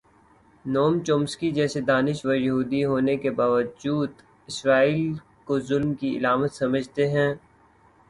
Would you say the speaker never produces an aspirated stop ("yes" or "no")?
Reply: yes